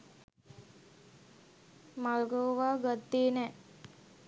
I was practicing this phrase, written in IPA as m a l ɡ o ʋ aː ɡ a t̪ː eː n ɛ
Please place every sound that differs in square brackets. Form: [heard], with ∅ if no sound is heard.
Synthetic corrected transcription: m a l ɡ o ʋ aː ɡ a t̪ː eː n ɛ